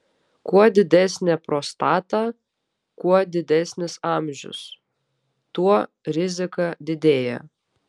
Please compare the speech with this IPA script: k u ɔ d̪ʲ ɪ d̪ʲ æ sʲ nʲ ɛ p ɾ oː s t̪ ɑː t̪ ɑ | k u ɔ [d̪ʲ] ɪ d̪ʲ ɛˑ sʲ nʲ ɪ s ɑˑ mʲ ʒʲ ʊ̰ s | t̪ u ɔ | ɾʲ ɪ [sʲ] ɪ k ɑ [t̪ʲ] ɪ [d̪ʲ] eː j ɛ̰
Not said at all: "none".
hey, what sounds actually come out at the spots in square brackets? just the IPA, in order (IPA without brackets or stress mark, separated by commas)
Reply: d̪ʲ, zʲ, d̪ʲ, d̪ʲ